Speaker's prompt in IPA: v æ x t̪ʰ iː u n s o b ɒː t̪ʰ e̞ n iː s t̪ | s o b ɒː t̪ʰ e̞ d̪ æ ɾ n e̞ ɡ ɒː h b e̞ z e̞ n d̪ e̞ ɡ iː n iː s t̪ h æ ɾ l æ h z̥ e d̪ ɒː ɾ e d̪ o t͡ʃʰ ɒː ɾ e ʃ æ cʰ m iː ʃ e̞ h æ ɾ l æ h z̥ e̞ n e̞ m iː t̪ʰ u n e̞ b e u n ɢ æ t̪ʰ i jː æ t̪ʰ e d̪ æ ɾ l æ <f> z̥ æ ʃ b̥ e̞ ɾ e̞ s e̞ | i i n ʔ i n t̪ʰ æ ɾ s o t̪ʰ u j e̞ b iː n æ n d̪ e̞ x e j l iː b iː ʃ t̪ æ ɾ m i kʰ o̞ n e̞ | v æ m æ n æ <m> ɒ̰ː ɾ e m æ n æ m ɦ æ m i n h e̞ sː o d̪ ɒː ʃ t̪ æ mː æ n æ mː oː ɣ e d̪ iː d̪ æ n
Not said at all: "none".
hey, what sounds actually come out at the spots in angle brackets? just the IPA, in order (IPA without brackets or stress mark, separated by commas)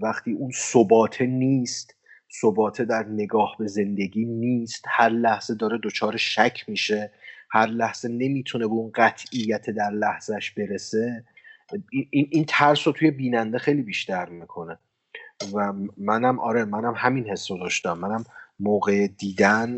h, m